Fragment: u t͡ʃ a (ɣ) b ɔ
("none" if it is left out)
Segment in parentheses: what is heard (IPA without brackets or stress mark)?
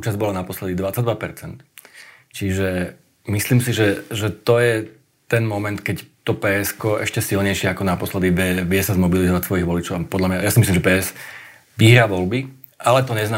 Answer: z